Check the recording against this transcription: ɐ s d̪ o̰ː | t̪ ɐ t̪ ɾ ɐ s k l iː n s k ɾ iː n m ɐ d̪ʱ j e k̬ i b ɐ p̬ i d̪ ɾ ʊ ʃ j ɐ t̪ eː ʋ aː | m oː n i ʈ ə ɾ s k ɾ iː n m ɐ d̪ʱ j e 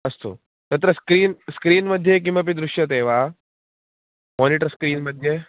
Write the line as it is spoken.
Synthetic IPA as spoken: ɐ s t̪ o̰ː | t̪ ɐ t̪ ɾ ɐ s k ɾ iː n s k ɾ iː n m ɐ d̪ʱ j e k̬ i m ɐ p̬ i d̪ ɾ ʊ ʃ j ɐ t̪ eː ʋ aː | m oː n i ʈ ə ɾ s k ɾ iː n m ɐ d̪ʱ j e